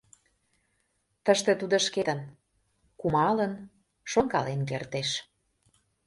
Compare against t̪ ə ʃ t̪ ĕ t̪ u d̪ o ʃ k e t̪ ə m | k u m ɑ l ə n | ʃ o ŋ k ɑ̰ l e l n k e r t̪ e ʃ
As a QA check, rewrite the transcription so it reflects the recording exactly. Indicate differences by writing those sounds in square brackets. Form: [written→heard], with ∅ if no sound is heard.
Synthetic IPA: t̪ ə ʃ t̪ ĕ t̪ u d̪ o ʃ k e t̪ ə [m→n] | k u m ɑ l ə n | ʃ o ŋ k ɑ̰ l e [l→∅] n k e r t̪ e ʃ